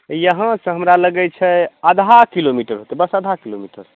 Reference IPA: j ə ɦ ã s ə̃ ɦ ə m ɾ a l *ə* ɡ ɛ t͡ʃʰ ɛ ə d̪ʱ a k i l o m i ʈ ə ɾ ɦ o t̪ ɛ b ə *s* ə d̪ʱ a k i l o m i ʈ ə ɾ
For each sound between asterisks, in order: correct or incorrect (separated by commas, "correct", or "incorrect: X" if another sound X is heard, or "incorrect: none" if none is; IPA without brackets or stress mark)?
correct, correct